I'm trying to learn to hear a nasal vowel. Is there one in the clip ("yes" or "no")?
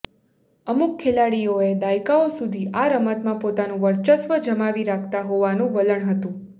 yes